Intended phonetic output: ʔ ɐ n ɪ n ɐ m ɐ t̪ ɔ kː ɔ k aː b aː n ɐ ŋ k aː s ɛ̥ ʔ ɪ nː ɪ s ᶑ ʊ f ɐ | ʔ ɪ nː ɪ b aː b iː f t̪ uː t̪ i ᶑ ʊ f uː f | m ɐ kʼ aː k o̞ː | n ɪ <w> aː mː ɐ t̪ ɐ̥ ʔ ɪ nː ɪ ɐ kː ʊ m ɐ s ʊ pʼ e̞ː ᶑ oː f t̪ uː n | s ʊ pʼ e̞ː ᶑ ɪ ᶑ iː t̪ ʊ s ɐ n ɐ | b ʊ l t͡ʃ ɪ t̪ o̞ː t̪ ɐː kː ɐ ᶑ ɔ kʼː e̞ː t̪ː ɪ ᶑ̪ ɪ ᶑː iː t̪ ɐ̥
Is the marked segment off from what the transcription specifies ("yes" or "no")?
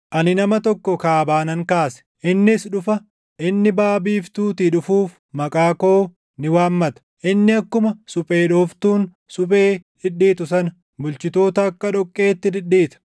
no